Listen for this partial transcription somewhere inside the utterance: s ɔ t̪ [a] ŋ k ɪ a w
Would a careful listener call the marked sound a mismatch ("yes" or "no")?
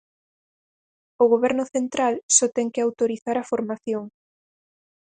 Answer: yes